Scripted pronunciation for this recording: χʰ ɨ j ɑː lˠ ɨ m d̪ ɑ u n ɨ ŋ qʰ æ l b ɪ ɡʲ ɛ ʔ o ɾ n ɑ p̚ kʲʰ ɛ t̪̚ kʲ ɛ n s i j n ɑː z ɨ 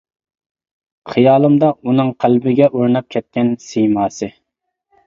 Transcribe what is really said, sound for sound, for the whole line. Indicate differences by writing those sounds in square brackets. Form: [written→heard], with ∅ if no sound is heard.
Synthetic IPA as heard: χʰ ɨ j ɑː lˠ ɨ m d̪ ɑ u n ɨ ŋ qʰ æ l b ɪ ɡʲ ɛ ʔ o ɾ n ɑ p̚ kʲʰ ɛ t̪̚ kʲ ɛ n s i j [n→m] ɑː [z→s] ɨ

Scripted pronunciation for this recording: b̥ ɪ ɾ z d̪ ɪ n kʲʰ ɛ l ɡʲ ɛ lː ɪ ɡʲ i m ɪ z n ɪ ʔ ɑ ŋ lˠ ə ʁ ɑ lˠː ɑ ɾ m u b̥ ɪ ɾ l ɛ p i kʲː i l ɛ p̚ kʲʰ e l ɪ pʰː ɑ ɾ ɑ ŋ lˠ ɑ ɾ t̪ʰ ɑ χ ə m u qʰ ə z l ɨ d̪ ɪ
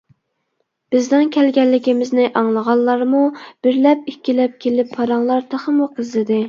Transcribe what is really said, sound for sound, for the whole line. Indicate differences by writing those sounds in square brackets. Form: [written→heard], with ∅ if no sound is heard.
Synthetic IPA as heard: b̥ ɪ [ɾ→∅] z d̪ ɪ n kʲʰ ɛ l ɡʲ ɛ lː ɪ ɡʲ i m ɪ z n ɪ ʔ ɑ ŋ lˠ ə ʁ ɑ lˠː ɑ ɾ m u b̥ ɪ ɾ l ɛ p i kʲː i l ɛ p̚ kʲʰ e l ɪ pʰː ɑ ɾ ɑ ŋ lˠ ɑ ɾ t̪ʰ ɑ χ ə m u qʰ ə z l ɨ d̪ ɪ

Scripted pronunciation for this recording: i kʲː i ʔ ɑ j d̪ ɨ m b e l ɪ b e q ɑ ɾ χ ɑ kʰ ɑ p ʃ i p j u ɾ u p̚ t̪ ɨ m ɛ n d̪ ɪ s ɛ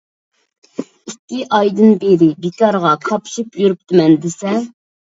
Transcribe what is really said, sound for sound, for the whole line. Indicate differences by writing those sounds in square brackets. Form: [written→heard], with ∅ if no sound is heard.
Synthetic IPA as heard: i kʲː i ʔ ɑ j d̪ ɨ [m→n] b e [l→ɾ] ɪ b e [q→k] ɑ ɾ [χ→ʁ] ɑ kʰ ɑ p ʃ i p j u ɾ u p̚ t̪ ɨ m ɛ n d̪ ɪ s ɛ

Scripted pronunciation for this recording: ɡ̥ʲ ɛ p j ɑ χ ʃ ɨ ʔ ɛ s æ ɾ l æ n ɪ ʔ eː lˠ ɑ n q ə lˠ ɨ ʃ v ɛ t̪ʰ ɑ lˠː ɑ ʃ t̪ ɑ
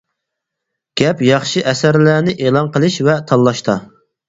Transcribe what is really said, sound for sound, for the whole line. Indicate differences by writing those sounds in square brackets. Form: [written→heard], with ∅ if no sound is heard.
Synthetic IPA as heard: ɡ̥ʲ ɛ p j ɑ χ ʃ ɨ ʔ ɛ s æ ɾ l æ n ɪ ʔ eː lˠ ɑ n q ə lˠ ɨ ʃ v ɛ t̪ʰ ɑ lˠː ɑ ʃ t̪ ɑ

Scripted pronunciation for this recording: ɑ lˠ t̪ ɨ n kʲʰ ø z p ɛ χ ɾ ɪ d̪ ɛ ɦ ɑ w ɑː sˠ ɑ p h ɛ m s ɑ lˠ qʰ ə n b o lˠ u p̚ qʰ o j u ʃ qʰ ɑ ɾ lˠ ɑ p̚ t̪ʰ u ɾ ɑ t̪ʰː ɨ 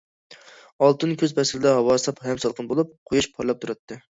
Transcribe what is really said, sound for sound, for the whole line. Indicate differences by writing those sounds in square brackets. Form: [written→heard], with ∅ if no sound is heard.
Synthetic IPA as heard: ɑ lˠ t̪ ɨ n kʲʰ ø z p ɛ [χ→s] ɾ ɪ d̪ ɛ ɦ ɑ w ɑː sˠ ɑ p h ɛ m s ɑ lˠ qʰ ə n b o lˠ u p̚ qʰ o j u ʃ [qʰ→pʰ] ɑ ɾ lˠ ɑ p̚ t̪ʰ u ɾ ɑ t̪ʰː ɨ

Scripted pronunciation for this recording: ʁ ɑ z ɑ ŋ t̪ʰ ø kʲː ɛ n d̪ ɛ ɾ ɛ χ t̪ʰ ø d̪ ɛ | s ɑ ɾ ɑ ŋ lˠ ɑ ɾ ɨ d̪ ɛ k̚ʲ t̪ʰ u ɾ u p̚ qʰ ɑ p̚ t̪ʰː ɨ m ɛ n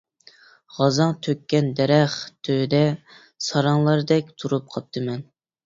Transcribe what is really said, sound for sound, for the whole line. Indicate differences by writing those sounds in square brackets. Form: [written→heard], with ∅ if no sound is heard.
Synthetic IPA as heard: ʁ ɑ z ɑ ŋ t̪ʰ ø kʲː ɛ n d̪ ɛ ɾ ɛ χ t̪ʰ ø d̪ ɛ | s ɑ ɾ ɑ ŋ lˠ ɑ ɾ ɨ d̪ ɛ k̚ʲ t̪ʰ u ɾ u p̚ qʰ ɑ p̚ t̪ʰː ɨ m ɛ n

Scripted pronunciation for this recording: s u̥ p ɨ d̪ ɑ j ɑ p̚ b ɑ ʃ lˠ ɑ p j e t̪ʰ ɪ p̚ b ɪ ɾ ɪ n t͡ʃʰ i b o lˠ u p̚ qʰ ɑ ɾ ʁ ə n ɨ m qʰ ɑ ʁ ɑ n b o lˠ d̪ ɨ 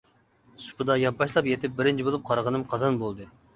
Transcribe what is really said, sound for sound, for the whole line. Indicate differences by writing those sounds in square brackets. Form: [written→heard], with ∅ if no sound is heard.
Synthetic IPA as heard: s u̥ p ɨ d̪ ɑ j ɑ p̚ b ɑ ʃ lˠ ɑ p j e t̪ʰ ɪ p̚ b ɪ ɾ ɪ n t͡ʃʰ i b o lˠ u p̚ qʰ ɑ ɾ ʁ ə n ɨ m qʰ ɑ [ʁ→z] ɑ n b o lˠ d̪ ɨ

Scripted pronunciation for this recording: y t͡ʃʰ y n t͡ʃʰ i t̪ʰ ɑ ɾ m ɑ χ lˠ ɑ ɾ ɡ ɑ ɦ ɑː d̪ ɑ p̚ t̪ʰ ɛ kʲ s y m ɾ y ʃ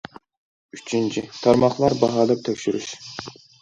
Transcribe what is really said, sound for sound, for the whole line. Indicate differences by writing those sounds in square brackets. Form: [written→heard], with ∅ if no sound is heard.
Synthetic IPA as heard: y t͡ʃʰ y n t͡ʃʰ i t̪ʰ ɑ ɾ m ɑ χ lˠ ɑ ɾ [ɡ→b] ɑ ɦ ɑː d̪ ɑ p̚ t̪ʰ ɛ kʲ [s→ʃ] y [m→∅] ɾ y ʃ

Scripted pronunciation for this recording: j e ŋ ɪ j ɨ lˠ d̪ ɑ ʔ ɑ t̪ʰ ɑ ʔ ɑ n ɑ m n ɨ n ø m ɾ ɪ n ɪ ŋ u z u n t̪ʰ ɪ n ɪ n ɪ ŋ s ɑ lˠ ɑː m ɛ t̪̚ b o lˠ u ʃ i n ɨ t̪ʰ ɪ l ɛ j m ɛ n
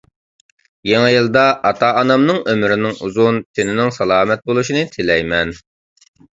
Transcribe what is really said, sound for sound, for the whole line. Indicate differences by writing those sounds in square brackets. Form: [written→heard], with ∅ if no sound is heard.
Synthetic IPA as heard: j e ŋ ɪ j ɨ lˠ d̪ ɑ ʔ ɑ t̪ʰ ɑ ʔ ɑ n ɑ m n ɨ [n→ŋ] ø m ɾ ɪ n ɪ ŋ u z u n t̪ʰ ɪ n ɪ n ɪ ŋ s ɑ lˠ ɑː m ɛ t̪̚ b o lˠ u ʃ i n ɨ t̪ʰ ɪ l ɛ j m ɛ n

